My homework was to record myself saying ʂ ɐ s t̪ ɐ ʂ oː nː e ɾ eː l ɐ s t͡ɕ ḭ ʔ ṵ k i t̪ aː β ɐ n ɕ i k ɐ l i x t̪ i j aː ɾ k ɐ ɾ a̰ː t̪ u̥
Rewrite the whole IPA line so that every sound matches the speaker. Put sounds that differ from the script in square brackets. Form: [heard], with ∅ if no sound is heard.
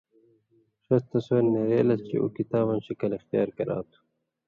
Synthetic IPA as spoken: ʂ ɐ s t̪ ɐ [s] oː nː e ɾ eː l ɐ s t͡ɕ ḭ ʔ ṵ k i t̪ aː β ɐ n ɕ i k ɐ l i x t̪ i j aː ɾ k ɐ ɾ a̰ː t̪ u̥